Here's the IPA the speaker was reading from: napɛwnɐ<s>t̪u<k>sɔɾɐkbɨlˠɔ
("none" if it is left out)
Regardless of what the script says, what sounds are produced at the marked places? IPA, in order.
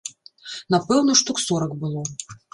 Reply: ʂ, k

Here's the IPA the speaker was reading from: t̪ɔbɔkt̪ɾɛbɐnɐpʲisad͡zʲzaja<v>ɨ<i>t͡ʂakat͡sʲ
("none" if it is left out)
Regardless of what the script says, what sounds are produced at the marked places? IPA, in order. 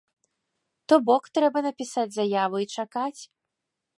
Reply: v, i

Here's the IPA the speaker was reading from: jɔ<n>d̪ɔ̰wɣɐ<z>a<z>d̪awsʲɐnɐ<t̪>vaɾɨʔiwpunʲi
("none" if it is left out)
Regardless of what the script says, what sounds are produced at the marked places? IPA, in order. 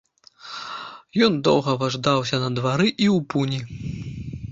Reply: n, v, ʐ, d̪

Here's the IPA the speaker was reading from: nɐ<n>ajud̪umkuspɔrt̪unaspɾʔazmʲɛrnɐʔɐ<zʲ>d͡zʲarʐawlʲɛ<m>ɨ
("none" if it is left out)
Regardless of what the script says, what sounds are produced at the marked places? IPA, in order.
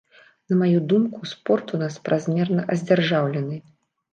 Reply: m, zʲ, n

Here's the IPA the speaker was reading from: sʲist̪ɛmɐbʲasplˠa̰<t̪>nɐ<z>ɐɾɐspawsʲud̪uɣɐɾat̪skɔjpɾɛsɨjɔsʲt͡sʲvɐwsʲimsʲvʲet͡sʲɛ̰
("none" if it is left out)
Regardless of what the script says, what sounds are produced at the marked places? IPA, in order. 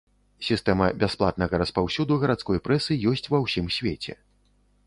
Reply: t̪, ɣ

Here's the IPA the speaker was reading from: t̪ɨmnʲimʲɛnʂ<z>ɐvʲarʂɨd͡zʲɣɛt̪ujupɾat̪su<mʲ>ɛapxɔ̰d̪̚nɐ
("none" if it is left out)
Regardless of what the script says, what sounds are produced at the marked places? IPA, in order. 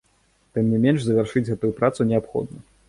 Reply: z, nʲ

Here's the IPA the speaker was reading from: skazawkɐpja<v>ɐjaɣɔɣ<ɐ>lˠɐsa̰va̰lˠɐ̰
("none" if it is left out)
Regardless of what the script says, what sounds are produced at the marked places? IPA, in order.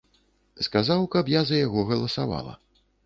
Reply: z, ɐ

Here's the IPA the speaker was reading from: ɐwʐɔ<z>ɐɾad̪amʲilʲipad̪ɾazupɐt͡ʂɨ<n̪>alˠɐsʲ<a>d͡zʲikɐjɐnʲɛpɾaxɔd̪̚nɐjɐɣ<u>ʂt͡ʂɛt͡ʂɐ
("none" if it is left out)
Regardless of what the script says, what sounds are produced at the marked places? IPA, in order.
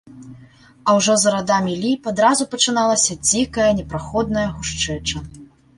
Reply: z, n̪, ɐ, u

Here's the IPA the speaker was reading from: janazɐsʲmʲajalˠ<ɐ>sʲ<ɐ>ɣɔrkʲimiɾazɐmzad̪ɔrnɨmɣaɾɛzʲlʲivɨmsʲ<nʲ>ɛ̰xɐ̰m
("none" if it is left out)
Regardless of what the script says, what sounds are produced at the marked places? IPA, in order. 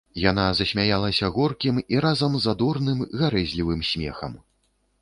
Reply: ɐ, ɐ, mʲ

